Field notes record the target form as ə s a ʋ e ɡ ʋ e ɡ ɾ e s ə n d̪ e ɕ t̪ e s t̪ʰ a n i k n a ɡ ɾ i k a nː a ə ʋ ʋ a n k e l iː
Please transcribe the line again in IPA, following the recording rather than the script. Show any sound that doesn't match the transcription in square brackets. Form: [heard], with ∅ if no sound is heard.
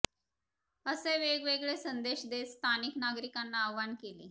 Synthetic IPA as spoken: ə s [e] ʋ e ɡ ʋ e ɡ [ɭ] e s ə n d̪ e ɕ [d̪] e s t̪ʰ a n i k n a ɡ ɾ i k a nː a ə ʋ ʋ a n k e l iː